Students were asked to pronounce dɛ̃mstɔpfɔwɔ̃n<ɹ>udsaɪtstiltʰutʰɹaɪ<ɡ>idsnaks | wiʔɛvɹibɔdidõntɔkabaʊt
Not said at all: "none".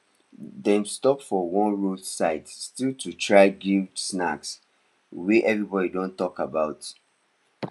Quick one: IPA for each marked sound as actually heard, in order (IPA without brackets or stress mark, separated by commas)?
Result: ɹ, ɡ